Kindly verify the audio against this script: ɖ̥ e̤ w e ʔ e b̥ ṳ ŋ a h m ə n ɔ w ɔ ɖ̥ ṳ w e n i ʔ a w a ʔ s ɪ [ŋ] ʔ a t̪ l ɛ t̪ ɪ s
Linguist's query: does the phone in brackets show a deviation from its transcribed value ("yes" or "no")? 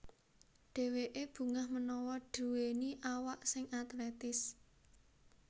no